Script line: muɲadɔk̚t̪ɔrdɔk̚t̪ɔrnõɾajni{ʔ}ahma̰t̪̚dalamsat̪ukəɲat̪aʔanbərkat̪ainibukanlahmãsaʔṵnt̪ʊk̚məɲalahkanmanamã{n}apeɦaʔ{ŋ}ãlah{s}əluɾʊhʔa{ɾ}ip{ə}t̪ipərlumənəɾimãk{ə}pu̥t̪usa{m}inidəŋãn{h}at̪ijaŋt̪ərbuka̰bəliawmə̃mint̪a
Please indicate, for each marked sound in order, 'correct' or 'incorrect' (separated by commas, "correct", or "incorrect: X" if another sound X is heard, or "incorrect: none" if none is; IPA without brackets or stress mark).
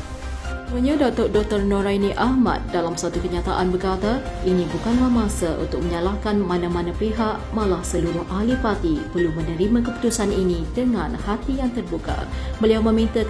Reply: correct, correct, incorrect: m, correct, incorrect: l, incorrect: a, correct, incorrect: n, correct